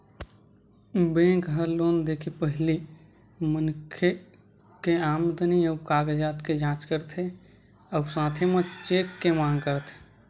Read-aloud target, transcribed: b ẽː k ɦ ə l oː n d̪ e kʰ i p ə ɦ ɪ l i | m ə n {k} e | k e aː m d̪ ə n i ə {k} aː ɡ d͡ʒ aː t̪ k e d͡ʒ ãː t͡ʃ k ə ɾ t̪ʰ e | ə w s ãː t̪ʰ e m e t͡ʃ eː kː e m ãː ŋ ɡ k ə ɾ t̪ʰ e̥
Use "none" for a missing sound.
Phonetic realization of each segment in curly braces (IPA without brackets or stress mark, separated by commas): kʰ, k